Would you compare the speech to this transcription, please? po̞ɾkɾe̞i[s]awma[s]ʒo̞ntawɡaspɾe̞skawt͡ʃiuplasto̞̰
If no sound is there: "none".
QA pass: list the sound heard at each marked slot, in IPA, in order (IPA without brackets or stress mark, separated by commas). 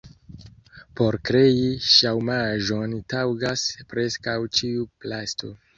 ʃ, none